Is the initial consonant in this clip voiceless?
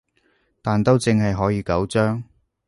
yes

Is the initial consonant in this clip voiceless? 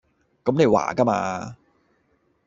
yes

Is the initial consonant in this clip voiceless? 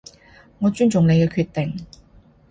no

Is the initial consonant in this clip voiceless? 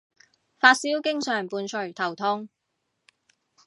yes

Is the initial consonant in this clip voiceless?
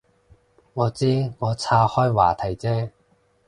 no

